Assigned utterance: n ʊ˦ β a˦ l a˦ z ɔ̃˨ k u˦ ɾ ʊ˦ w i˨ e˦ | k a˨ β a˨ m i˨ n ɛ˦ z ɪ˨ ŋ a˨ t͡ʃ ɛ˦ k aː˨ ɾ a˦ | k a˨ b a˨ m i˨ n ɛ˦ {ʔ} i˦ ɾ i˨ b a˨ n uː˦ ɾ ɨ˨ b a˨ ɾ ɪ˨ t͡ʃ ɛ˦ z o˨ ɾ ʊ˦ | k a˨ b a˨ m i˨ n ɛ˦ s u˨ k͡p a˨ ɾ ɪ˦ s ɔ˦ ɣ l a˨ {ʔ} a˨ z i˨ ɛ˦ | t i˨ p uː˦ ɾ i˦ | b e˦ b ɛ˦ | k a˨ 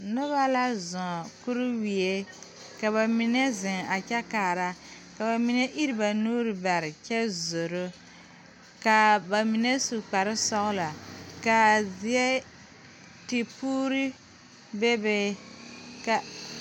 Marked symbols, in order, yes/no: yes, no

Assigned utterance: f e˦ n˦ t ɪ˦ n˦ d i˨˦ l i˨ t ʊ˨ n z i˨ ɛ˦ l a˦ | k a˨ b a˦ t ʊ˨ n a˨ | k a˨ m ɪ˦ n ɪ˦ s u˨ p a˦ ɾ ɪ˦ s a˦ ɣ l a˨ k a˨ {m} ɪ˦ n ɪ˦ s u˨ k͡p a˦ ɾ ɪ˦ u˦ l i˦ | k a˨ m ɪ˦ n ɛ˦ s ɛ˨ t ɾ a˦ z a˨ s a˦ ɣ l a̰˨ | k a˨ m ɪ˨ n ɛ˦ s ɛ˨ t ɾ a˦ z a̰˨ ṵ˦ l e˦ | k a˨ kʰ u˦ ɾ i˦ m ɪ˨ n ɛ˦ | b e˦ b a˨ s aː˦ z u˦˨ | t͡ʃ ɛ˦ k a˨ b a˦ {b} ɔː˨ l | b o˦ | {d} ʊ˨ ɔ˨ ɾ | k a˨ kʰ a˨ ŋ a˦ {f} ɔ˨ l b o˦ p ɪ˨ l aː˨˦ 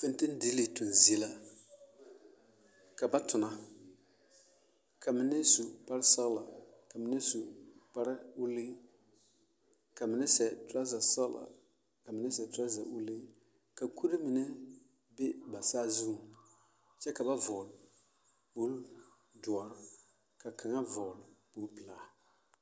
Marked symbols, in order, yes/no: yes, no, yes, no

